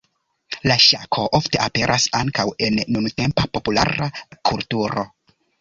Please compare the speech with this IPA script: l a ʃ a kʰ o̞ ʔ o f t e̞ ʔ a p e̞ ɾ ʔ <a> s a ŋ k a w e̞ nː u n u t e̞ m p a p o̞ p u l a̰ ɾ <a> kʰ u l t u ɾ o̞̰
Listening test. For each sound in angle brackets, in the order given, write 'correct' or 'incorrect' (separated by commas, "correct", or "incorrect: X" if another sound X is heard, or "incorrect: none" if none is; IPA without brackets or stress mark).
correct, correct